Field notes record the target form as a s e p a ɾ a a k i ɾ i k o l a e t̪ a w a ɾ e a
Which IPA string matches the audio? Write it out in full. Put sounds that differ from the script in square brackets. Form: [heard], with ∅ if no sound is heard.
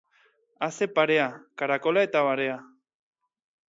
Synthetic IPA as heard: a s e p a ɾ [e] a k [a] ɾ [a] k o l a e t̪ a [β] a ɾ e a